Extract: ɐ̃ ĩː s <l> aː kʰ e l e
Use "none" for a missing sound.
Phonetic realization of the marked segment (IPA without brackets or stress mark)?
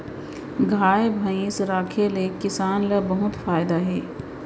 ɾ